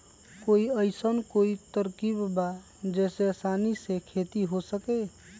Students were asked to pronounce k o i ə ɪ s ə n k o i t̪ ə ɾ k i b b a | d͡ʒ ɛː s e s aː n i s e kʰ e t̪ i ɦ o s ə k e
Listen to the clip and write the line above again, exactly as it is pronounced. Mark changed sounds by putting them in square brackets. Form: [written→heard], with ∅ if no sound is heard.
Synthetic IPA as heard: k o i ə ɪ s ə n k o i t̪ ə ɾ k i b b a | d͡ʒ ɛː s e s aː n i s e kʰ e t̪ i ɦ o s ə k e